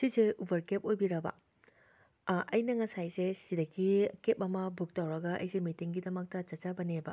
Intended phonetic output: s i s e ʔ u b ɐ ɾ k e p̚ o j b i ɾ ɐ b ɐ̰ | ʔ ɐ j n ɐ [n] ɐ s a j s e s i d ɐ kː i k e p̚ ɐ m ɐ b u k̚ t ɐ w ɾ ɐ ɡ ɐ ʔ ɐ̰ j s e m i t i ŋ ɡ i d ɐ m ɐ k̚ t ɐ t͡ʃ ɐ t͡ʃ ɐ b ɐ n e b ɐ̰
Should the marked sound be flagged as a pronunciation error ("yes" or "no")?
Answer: yes